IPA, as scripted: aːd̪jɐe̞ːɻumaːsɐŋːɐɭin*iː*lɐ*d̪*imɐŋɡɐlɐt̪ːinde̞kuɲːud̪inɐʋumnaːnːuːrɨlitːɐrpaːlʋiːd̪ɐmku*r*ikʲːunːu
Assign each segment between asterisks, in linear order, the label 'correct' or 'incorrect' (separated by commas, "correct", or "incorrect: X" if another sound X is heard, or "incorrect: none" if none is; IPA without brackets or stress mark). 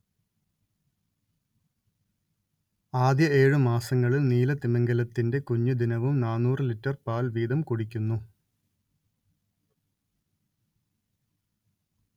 correct, incorrect: t̪, incorrect: ɽ